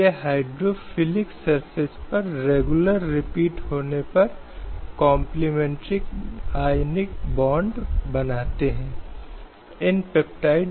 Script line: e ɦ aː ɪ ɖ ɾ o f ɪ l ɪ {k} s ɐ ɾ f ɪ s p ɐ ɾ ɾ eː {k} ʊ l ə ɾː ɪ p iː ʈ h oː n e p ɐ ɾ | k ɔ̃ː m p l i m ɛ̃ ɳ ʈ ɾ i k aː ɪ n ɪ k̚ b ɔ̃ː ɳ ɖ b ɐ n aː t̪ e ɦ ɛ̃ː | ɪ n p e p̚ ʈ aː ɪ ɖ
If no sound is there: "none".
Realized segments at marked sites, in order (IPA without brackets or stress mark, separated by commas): k, ɡ